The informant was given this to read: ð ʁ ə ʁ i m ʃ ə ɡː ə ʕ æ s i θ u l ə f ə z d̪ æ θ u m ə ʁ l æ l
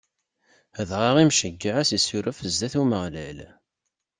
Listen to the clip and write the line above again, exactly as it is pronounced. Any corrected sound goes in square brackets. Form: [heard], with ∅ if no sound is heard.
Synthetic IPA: ð ʁ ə ʁ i m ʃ ə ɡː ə ʕ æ s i [s] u [ɾ] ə f ə z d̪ æ θ u m ə ʁ l æ l

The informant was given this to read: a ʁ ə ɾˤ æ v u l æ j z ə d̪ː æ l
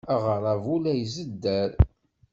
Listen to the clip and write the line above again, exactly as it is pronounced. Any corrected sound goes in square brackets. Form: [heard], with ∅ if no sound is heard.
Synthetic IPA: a ʁ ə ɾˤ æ v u l æ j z ə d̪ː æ [ɾ]

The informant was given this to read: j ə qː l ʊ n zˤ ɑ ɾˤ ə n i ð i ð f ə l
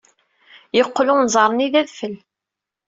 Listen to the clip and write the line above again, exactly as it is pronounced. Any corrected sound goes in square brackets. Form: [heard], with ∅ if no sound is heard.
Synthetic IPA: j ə qː l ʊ n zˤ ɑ ɾˤ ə n i ð [æ] ð f ə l

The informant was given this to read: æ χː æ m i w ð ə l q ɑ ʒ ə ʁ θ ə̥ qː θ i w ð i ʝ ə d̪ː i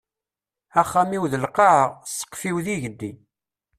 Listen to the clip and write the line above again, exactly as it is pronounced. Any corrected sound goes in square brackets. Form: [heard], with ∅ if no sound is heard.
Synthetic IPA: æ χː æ m i w ð ə l q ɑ [ʕ] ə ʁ [s] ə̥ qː [f] i w ð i ʝ ə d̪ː i

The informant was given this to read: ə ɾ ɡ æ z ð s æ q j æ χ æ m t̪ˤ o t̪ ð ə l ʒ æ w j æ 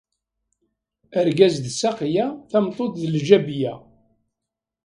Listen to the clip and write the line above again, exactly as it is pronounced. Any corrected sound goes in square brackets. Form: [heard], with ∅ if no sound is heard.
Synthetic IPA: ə ɾ ɡ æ z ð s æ q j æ [θ] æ m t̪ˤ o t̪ ð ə l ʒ æ [b] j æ

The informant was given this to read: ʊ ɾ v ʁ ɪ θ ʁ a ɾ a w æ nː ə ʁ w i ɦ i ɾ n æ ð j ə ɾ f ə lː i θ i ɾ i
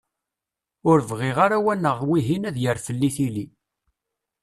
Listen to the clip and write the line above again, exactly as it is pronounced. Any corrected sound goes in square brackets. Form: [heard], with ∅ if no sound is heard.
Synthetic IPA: ʊ ɾ v ʁ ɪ [∅] ʁ a ɾ a w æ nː ə ʁ w i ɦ i [∅] n æ ð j ə ɾ f ə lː i θ i [l] i

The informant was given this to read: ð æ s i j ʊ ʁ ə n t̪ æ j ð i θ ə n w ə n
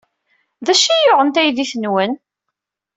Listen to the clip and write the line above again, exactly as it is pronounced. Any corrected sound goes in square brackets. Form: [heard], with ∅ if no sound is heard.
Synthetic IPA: ð æ [ʃ] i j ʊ ʁ ə n t̪ æ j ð i θ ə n w ə n

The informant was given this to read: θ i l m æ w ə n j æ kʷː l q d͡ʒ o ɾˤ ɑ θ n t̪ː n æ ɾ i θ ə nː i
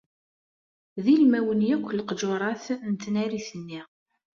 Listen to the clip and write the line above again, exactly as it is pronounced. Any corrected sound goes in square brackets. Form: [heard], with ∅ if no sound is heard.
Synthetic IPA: [ð] i l m æ w ə n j æ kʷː l q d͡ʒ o ɾˤ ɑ θ n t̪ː n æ ɾ i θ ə nː i

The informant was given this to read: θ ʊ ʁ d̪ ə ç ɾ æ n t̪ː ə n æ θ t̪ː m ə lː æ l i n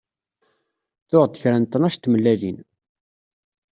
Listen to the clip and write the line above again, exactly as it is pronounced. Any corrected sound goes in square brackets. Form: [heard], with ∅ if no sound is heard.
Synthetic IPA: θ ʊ ʁ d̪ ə ç ɾ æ n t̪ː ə n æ [ʃ] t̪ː m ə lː æ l i n

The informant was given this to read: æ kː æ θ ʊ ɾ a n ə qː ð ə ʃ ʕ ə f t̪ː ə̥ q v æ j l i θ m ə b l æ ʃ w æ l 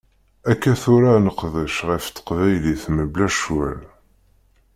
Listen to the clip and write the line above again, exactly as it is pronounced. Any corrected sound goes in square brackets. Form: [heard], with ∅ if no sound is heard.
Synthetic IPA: æ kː æ θ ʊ ɾ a n ə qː ð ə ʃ [ʁ] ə f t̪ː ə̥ q v æ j l i θ m ə b l æ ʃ w æ l

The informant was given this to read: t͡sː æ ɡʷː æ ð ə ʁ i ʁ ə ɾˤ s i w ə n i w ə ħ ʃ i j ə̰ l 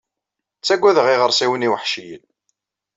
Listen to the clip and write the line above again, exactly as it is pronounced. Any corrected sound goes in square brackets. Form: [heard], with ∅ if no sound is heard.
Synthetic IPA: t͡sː æ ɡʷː æ ð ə ʁ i ʁ ə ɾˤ s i w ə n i w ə ħ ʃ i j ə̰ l

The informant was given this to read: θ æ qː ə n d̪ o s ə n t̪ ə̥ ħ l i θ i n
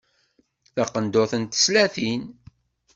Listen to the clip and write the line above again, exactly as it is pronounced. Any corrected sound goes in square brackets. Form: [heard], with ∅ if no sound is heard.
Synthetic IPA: θ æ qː ə n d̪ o [θ] ə n t̪ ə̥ [s] l [æ] θ i n

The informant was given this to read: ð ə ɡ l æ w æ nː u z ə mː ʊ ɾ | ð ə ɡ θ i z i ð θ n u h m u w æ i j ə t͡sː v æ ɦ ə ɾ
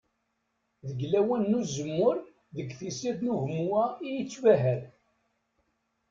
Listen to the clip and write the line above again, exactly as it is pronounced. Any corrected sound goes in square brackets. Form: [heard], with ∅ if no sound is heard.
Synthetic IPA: ð ə ɡ l æ w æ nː u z ə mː ʊ ɾ | ð ə ɡ θ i [s] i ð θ n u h m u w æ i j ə t͡sː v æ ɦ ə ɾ

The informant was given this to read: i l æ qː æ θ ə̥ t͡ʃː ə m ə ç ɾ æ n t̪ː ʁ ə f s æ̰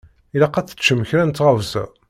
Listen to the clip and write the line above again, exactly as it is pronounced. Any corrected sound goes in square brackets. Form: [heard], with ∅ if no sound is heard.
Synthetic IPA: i l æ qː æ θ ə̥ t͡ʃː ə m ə ç ɾ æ n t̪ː ʁ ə [v] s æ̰

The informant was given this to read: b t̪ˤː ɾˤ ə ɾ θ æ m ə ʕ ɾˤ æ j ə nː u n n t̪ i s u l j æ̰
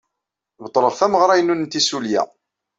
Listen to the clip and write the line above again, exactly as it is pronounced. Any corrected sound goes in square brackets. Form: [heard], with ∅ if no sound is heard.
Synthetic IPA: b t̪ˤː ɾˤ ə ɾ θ æ m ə [ʁ] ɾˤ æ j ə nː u n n t̪ i s u l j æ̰

